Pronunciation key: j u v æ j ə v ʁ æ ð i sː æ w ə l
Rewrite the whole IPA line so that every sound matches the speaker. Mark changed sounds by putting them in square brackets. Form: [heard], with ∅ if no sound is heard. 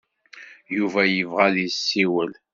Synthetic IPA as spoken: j u v æ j ə v ʁ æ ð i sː [i] w ə l